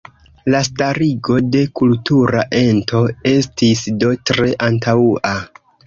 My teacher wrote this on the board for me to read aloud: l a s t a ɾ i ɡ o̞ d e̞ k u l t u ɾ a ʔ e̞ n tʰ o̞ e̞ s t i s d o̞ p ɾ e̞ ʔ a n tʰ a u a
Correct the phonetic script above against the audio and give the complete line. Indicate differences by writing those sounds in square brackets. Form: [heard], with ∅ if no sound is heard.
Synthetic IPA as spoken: l a s t a ɾ i ɡ o̞ d e̞ k u l t u ɾ a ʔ e̞ n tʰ o̞ e̞ s t i s d o̞ [t] ɾ e̞ ʔ a n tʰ a u a